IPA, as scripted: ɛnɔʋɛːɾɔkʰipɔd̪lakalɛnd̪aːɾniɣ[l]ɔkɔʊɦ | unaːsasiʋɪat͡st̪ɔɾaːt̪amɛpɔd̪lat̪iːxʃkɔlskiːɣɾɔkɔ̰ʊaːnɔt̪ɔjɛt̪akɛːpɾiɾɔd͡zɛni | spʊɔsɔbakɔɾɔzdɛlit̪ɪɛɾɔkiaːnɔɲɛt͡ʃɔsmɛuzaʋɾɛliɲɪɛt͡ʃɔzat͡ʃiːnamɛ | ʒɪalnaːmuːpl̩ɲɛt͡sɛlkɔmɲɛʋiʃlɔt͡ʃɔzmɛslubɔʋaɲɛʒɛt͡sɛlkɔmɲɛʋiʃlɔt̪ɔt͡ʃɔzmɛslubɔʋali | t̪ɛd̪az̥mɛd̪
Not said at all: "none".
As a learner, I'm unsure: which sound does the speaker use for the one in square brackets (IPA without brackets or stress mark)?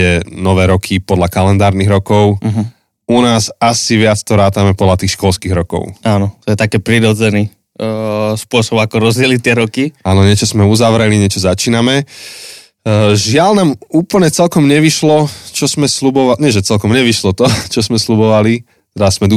ɾ